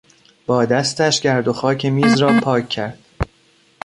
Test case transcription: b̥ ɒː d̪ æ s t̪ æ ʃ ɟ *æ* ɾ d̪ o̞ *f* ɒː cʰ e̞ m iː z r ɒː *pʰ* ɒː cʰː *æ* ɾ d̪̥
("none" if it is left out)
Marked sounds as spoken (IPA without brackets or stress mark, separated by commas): æ, x, pʰ, æ